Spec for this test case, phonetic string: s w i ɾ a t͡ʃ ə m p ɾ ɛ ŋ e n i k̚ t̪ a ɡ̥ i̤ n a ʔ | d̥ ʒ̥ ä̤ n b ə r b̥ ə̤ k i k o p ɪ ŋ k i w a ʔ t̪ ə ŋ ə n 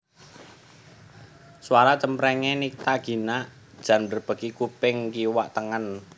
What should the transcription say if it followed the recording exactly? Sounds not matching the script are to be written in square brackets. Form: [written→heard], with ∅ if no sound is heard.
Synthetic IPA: s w [i→a] ɾ a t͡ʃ ə m p ɾ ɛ ŋ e n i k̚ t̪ a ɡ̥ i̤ n a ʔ | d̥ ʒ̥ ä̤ n b ə r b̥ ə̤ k i k [o→u] p ɪ ŋ k i w a ʔ t̪ ə ŋ ə n